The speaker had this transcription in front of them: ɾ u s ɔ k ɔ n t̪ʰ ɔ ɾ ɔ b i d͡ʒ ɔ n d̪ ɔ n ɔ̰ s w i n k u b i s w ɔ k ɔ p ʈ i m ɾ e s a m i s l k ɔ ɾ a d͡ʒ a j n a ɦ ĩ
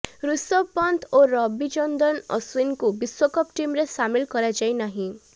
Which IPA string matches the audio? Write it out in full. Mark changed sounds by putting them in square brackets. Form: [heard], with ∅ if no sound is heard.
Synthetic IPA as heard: ɾ u s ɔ [p] ɔ n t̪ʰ [o] ɾ ɔ b i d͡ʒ ɔ n d̪ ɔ n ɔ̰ s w i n k u b i s w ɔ k ɔ p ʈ i m ɾ e s a m i [∅] l k ɔ ɾ a d͡ʒ a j n a ɦ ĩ